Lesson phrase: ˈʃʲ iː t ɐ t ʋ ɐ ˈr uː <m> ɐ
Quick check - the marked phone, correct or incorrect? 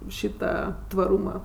correct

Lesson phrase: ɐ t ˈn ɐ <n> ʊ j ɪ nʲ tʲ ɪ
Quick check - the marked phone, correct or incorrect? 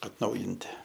incorrect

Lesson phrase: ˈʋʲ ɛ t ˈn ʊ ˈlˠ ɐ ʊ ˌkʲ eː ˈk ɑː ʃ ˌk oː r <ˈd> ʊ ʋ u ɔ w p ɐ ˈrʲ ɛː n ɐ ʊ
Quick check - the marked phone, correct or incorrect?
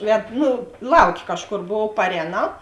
incorrect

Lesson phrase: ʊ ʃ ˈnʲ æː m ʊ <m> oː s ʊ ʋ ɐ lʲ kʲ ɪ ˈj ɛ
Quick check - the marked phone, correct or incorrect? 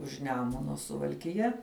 incorrect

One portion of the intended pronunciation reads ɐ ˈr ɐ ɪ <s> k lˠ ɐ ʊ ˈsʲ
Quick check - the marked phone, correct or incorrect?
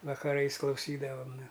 correct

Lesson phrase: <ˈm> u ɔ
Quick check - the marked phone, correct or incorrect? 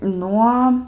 incorrect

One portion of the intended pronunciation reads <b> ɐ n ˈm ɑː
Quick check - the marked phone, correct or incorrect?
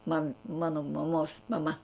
incorrect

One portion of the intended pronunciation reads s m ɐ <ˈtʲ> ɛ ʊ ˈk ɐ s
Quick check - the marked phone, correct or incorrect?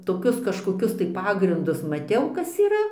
correct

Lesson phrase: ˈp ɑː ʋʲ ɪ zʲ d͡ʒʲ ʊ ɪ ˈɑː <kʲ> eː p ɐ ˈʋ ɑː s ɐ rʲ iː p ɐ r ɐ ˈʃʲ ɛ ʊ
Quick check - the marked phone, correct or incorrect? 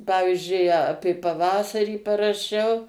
incorrect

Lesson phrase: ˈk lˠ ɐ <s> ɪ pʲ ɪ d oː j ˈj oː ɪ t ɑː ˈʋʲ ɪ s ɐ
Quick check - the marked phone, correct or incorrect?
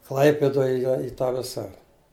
incorrect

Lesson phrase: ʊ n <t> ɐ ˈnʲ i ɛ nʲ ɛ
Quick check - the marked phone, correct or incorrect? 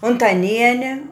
correct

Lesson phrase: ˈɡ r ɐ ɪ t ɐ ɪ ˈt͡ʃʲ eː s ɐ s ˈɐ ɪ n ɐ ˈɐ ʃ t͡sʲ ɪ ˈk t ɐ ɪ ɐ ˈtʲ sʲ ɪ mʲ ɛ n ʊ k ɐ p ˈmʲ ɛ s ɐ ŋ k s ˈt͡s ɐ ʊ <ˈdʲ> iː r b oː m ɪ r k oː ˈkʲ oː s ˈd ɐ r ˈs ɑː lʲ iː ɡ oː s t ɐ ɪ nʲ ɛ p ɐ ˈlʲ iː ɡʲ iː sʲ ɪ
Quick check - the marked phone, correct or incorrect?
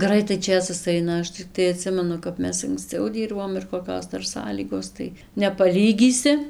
correct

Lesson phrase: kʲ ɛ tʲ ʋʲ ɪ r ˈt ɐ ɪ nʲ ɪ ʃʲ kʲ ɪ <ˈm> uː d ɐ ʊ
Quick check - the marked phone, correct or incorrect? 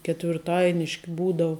incorrect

